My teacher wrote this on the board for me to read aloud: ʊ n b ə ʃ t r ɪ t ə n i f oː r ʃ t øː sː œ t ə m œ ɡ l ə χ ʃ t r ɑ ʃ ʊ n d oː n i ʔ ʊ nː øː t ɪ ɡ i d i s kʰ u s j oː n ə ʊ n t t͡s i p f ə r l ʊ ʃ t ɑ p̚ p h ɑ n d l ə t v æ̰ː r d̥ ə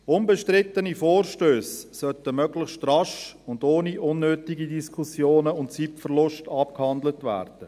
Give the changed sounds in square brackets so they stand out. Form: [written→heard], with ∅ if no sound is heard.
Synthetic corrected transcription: ʊ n b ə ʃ t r ɪ t ə n i f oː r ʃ t øː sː œ t ə m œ ɡ l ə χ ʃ t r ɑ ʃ ʊ n d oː n i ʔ ʊ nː øː t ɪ ɡ i d i s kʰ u s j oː n ə ʊ n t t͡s i p f ə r l ʊ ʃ t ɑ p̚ [p→k] h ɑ n d l ə t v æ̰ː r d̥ ə